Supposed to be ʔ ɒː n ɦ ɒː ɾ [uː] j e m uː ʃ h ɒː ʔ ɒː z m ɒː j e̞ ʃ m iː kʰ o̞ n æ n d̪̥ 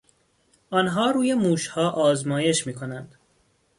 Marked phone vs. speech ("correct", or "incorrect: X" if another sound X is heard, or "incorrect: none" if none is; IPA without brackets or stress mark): correct